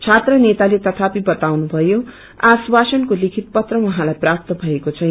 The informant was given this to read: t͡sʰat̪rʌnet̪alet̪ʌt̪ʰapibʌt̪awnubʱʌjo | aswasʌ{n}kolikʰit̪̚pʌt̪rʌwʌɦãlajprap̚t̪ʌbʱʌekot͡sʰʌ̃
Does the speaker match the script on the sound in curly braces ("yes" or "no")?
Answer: yes